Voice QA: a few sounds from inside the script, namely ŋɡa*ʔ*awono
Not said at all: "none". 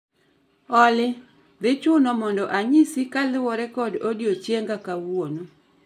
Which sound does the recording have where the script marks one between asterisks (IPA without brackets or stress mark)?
k